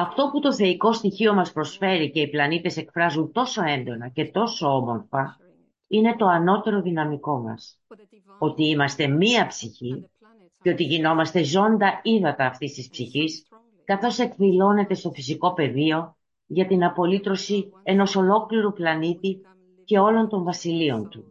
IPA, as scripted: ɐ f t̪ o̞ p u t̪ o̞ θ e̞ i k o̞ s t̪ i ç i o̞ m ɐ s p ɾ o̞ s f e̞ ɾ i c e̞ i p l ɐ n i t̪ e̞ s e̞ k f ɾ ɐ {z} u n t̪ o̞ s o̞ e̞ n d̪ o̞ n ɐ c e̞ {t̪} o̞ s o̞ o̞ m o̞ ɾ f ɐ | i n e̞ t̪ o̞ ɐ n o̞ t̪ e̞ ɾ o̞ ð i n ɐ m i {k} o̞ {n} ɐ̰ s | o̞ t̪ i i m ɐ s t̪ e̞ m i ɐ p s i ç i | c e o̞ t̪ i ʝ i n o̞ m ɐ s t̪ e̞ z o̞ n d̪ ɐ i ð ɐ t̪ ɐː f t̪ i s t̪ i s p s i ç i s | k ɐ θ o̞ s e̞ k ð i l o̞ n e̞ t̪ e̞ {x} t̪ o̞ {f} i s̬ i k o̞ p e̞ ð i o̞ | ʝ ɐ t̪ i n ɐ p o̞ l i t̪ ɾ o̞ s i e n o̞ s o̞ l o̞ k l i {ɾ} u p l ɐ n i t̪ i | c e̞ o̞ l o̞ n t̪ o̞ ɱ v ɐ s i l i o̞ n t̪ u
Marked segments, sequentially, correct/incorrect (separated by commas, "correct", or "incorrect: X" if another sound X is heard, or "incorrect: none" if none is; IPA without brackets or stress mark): correct, correct, correct, incorrect: m, incorrect: s, correct, correct